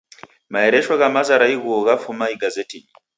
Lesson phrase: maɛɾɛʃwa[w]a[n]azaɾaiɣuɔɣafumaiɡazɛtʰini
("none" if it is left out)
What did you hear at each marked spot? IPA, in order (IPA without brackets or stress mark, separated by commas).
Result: ɣ, m